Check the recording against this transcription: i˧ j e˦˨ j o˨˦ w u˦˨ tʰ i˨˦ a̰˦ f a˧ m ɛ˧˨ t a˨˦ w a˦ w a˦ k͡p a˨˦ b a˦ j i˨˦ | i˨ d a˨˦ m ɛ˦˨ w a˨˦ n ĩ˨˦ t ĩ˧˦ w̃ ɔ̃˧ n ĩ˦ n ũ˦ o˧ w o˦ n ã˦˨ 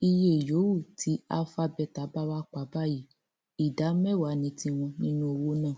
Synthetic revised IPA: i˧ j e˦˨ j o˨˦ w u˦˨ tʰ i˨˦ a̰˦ f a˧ b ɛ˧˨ t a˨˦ b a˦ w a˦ k͡p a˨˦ b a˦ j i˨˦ | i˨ d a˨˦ m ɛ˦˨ w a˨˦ n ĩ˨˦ t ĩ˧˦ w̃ ɔ̃˧ n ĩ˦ n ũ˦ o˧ w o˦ n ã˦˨